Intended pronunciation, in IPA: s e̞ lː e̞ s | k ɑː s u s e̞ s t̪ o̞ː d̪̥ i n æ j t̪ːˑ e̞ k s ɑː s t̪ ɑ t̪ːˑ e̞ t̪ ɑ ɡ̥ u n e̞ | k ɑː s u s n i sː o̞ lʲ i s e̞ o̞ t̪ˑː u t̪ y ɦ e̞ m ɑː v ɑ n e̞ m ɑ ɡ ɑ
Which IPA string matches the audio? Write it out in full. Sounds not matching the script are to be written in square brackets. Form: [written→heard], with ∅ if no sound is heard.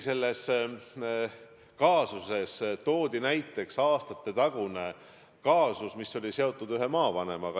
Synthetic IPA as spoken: s e̞ lː e̞ s | k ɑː s u s e̞ s t̪ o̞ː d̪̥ i n æ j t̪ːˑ e̞ k s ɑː s t̪ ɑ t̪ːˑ e̞ t̪ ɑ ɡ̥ u n e̞ | k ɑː s u s [n→m] i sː o̞ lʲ i s e̞ o̞ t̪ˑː u [t̪→d̪] y ɦ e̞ m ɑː v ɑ n e̞ m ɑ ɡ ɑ